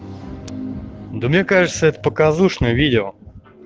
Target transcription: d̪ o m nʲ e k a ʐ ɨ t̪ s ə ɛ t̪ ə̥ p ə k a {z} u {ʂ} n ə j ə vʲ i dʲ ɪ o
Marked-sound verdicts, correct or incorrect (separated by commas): correct, correct